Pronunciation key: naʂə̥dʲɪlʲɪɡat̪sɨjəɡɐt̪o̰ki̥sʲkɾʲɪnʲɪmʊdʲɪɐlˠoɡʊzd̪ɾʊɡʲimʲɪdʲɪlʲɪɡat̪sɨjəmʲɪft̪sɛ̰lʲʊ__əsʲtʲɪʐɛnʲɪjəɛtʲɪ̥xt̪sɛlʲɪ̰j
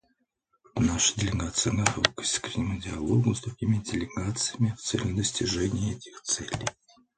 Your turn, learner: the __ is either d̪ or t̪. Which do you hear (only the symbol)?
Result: d̪